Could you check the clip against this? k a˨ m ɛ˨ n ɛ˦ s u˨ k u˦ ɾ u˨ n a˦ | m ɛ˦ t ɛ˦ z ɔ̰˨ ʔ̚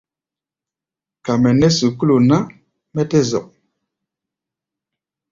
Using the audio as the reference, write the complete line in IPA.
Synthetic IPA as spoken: k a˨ m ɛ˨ n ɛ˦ s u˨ k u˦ l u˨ n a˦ | m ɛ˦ t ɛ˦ z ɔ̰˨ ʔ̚